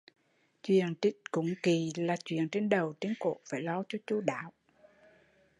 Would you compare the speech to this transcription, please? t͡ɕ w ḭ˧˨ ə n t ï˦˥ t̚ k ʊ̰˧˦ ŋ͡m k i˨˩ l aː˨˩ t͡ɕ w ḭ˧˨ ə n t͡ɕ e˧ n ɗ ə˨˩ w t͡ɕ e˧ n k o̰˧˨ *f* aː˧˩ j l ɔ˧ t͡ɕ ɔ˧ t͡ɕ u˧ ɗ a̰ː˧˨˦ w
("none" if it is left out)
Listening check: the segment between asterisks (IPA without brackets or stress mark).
f